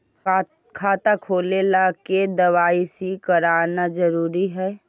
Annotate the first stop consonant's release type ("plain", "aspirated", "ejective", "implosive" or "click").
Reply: aspirated